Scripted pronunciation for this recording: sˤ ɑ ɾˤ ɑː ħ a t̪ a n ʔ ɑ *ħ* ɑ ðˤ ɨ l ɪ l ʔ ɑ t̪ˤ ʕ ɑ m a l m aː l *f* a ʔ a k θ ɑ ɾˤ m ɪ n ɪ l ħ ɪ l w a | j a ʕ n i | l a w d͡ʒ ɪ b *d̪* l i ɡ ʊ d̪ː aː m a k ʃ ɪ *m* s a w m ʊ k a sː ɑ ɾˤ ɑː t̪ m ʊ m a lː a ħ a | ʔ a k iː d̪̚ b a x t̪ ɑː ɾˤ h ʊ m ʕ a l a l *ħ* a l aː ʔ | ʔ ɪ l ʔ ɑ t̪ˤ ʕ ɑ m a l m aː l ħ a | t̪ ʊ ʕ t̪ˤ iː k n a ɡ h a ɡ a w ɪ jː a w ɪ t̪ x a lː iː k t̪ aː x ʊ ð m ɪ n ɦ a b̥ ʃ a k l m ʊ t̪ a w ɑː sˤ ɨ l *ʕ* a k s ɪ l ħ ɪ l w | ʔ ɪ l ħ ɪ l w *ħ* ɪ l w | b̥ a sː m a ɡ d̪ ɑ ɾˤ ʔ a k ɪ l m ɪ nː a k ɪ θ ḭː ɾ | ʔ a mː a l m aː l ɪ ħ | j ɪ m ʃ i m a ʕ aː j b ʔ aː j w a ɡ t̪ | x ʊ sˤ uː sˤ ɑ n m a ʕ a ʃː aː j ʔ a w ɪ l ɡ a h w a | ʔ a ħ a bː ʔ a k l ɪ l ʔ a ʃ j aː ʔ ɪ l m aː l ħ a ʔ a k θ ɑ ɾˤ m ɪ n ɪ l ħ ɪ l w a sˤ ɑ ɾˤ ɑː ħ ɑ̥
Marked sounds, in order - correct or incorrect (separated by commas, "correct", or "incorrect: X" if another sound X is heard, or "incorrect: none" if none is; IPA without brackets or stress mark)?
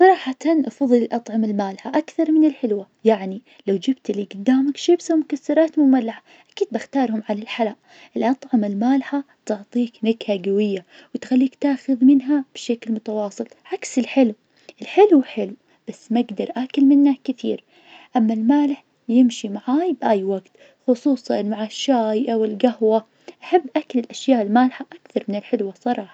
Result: incorrect: f, incorrect: ħ, incorrect: t̪, incorrect: b, correct, correct, correct